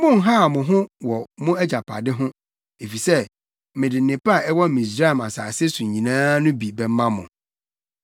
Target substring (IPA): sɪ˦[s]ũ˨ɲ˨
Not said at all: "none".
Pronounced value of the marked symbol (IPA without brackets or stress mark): s